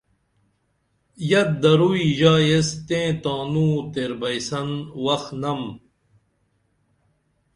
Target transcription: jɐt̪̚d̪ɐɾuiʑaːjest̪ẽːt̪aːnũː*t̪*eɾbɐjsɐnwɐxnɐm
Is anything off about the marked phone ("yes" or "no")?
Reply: no